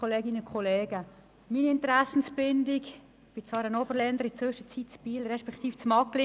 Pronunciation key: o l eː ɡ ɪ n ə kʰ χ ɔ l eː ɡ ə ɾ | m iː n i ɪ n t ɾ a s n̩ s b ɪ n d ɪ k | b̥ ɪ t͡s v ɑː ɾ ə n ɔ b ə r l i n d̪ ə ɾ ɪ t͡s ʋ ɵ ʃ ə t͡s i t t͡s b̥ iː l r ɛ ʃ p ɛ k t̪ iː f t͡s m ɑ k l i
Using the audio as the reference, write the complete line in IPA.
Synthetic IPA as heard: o l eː ɡ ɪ n ə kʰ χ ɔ l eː ɡ ə | m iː n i ɪ n t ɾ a s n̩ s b ɪ n d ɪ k | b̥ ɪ t͡s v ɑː ɾ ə n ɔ b ə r l ɛ n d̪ ə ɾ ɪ t͡s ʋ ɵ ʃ ə t͡s i t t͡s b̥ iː l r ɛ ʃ p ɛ k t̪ iː f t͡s m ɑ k l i